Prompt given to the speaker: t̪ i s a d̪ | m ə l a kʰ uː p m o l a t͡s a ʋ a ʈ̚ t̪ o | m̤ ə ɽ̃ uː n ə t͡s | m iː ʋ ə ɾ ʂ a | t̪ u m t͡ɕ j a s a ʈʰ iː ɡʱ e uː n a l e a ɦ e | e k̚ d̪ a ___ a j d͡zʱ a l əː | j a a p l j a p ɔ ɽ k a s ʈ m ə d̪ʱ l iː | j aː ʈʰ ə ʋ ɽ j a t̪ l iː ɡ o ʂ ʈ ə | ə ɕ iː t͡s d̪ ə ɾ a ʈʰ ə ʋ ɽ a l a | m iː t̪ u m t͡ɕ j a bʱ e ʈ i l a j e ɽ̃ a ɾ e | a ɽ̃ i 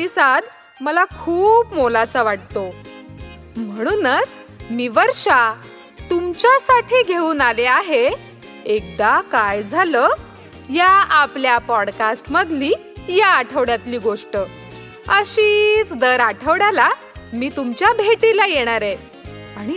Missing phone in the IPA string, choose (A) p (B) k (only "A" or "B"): B